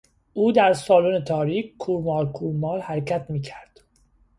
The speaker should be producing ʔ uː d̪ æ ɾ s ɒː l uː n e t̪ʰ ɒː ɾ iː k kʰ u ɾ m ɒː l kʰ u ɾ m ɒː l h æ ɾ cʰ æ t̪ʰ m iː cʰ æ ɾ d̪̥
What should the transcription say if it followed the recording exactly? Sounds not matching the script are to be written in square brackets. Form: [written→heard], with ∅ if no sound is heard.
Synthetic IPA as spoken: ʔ uː d̪ æ ɾ s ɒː l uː n e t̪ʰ ɒː ɾ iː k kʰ u ɾ m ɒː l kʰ u ɾ m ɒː l h æ ɾ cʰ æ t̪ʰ m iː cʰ æ ɾ d̪̥